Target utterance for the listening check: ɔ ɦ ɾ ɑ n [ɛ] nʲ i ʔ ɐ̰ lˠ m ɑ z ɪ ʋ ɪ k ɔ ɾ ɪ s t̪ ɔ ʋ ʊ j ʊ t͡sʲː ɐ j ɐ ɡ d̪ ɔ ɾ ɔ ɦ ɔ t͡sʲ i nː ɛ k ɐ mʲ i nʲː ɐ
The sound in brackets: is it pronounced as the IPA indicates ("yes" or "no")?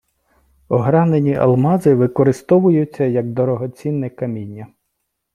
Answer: no